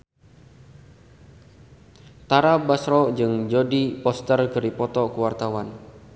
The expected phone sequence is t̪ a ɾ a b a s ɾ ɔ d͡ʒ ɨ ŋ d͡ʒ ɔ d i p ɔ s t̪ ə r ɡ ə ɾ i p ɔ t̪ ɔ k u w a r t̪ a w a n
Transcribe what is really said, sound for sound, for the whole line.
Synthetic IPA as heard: t̪ a ɾ a b a s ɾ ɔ d͡ʒ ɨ ŋ d͡ʒ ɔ d i p ɔ s t̪ ə r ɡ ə ɾ i p ɔ t̪ ɔ k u w a r t̪ a w a n